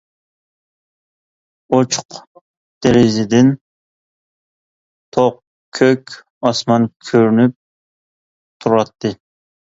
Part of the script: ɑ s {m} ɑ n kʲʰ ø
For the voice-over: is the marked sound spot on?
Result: yes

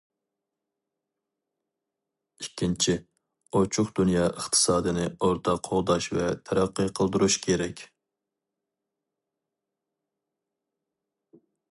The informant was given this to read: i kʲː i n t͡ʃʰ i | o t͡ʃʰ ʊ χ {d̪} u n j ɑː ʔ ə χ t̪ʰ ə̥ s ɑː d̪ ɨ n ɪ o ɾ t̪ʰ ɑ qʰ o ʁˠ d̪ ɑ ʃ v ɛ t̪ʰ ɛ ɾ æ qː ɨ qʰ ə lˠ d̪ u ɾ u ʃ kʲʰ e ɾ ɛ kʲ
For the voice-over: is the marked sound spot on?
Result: yes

